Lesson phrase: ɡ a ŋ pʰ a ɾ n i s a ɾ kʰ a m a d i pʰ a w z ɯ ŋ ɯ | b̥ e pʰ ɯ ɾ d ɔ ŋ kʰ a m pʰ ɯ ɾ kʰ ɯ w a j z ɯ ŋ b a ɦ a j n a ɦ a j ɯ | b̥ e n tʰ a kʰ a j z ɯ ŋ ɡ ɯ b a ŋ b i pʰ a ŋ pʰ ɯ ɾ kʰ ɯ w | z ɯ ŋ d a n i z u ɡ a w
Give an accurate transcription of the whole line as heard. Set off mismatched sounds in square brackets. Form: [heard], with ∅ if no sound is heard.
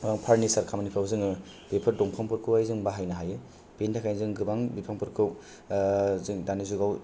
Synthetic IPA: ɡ a ŋ pʰ a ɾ n i s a ɾ kʰ a m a [n] i pʰ a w z ɯ ŋ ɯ | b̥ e pʰ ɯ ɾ d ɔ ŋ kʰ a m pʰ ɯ ɾ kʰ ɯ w a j z ɯ ŋ b a ɦ a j n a ɦ a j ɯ | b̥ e n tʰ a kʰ a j z ɯ ŋ ɡ ɯ b a ŋ b i pʰ a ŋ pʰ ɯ ɾ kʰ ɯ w | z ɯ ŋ d a n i z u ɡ a w